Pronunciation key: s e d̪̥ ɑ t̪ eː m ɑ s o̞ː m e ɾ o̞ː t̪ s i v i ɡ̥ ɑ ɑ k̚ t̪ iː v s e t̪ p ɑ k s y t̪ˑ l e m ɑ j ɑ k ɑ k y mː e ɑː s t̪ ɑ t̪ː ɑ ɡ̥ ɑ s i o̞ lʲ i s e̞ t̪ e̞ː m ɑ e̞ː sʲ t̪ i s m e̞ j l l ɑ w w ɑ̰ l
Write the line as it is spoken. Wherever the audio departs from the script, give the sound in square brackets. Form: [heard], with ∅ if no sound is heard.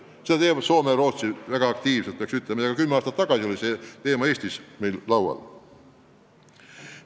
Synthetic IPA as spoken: s e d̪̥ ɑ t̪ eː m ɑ s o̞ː m e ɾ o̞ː t̪ s i v [æ] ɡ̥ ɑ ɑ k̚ t̪ iː v s e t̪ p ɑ k s y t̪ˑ l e m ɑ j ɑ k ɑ k y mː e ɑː s t̪ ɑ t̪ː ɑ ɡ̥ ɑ s i o̞ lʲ i s e̞ t̪ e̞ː m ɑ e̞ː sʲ t̪ i s m e̞ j l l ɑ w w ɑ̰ l